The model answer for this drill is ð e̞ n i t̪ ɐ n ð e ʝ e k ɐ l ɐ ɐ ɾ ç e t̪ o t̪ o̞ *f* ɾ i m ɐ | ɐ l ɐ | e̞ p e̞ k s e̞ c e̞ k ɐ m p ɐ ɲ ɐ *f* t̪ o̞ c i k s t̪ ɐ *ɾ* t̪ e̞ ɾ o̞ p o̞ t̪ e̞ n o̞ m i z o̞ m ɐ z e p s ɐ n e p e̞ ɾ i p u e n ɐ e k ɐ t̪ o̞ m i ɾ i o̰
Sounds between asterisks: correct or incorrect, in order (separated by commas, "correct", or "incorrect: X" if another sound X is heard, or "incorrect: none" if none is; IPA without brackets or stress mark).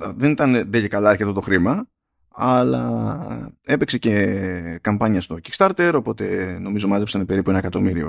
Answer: incorrect: x, incorrect: s, correct